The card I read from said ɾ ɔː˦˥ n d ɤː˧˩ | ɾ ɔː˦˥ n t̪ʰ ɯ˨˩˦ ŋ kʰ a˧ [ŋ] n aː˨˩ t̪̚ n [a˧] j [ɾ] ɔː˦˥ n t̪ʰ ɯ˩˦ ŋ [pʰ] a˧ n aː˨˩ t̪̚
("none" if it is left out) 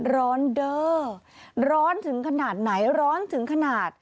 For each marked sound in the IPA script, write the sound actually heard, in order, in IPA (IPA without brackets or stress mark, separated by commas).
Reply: none, a˩˦, ɾ, kʰ